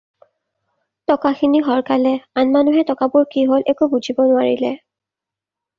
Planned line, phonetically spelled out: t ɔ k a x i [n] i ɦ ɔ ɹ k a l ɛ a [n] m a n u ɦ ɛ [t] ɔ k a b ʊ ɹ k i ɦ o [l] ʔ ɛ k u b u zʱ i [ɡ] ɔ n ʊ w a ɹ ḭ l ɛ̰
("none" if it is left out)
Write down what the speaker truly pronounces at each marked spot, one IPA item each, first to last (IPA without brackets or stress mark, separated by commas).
n, n, t, l, b